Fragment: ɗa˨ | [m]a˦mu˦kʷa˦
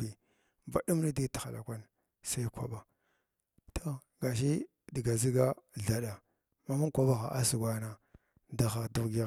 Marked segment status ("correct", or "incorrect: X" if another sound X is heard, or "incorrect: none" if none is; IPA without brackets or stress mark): correct